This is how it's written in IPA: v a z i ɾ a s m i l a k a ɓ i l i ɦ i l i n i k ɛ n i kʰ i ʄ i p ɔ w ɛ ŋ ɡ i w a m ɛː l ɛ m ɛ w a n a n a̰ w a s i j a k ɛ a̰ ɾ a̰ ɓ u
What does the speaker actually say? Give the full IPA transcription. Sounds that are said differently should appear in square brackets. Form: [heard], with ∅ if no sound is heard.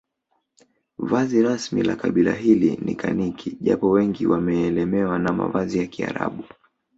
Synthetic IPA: v a z i ɾ a s m i l a k a ɓ i l [a] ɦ i l i n i k [a] n i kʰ i ʄ [a] p ɔ w ɛ ŋ ɡ i w a m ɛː l ɛ m ɛ w a n a [m] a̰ [v] a [z] i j a k [i] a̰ ɾ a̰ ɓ u